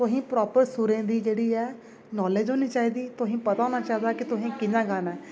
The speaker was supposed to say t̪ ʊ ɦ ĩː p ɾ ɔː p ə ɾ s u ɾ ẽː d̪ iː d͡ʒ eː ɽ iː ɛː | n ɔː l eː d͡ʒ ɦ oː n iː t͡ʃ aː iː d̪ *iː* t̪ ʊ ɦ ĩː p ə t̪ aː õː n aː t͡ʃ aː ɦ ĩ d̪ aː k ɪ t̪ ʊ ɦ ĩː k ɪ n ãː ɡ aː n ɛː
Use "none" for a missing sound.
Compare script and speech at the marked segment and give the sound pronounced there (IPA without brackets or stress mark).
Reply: iː